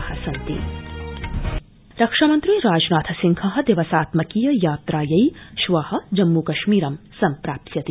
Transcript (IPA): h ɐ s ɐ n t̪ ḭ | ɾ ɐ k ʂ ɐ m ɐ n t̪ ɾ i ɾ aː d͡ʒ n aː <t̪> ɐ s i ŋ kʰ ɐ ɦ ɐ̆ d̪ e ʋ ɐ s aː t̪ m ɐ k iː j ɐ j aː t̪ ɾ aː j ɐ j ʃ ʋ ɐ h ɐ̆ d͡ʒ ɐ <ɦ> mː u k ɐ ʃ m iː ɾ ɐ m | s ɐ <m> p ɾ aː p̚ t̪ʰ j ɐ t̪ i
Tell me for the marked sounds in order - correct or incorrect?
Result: incorrect, incorrect, correct

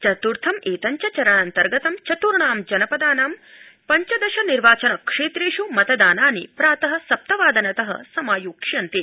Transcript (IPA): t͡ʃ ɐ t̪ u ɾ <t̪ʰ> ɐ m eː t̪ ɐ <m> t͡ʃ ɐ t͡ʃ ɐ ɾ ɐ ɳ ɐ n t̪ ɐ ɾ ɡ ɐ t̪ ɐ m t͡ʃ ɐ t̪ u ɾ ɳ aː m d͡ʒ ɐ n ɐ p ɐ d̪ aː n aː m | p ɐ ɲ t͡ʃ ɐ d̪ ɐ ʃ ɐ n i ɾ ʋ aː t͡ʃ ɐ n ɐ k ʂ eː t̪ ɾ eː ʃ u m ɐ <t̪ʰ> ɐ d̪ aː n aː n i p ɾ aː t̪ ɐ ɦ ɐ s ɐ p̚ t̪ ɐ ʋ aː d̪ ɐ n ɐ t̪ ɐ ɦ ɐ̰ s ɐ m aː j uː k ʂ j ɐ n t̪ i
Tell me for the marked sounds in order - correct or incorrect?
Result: correct, incorrect, incorrect

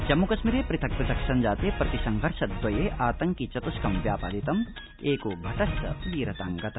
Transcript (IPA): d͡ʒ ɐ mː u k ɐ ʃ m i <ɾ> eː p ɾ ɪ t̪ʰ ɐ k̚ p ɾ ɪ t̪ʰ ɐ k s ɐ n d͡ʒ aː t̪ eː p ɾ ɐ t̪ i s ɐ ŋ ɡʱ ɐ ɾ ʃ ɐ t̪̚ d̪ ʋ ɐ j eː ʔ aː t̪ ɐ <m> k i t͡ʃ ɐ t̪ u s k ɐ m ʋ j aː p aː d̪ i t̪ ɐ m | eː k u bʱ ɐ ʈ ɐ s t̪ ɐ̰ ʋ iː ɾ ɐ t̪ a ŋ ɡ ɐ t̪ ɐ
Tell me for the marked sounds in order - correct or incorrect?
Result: correct, incorrect

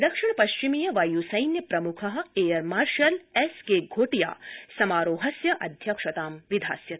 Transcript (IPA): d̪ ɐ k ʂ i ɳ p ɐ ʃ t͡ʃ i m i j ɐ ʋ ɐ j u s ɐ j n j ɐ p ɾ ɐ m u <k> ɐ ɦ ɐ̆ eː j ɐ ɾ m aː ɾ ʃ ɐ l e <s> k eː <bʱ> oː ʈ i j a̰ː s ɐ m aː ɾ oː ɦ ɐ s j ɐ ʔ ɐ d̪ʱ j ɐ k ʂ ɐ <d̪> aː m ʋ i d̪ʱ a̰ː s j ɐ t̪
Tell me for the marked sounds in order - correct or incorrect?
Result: incorrect, correct, incorrect, incorrect

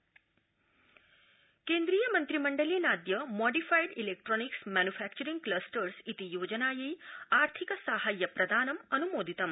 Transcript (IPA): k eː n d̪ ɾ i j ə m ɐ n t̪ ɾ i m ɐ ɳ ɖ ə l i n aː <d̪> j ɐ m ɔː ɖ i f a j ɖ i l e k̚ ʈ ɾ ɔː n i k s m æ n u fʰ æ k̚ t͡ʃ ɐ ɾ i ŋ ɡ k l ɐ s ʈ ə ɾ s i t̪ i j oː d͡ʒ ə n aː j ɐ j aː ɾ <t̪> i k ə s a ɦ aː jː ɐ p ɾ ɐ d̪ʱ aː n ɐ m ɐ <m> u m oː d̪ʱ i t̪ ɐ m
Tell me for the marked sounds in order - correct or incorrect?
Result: correct, incorrect, incorrect

